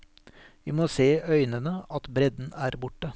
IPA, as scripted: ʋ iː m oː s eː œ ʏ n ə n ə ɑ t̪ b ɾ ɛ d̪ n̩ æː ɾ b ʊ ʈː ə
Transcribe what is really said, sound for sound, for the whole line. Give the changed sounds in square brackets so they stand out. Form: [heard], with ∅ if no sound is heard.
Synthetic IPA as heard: ʋ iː m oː s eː œ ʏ n ə n ə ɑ t̪ b ɾ ɛ d̪ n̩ æː ɾ b ʊ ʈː ə